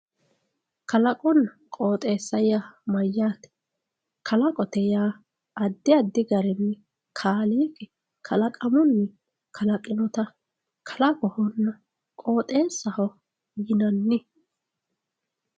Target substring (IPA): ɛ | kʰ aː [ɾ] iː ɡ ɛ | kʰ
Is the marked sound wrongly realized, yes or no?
yes